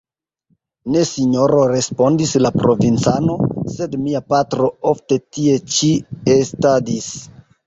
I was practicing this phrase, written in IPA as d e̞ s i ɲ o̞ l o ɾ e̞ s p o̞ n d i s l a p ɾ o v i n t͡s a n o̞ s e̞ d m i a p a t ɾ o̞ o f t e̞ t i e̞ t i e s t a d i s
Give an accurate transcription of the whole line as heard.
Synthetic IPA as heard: n e̞ s i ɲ o̞ ɾ o ɾ e̞ s p o̞ n d i s l a p ɾ o v i n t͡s a n o̞ s e̞ d m i a p a t ɾ o̞ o f t e̞ t i e̞ t͡ʃ i e s t a d i s